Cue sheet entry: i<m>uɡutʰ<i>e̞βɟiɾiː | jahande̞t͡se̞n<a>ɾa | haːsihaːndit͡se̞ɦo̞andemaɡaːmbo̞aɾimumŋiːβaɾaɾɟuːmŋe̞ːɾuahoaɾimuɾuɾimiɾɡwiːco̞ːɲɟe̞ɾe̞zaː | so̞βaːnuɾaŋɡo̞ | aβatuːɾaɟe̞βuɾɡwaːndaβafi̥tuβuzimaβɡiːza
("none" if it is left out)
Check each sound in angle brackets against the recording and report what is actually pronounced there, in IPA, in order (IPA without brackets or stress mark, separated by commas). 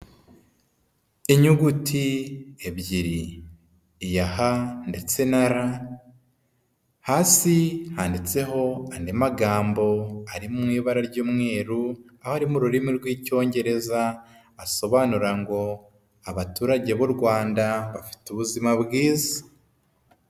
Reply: ɲ, i, a